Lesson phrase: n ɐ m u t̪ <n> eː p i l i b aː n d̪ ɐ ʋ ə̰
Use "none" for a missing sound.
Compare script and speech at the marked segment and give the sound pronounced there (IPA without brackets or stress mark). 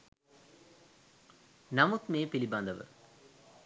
m